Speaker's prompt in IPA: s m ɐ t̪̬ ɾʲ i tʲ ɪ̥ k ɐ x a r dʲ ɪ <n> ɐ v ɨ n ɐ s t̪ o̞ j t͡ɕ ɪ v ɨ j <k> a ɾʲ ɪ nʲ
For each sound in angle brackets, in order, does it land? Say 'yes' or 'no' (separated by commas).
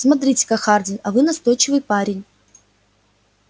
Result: yes, no